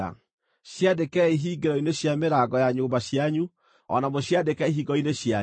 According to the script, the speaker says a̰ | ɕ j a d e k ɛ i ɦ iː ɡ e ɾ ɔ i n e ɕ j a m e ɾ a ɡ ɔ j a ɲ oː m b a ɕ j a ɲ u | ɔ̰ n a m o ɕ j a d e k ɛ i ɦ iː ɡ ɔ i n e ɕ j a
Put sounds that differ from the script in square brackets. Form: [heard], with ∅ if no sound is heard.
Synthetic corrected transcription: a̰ | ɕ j a d e k ɛ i ɦ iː ɡ e ɾ ɔ i n e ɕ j a m e ɾ a ɡ ɔ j a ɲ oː m b a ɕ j a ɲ u | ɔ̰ n a m o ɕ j a d e k ɛ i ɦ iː ɡ ɔ i n e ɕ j a